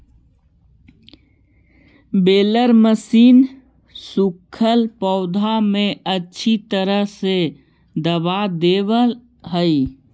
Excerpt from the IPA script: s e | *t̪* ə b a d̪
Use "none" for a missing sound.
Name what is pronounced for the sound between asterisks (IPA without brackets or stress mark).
d̪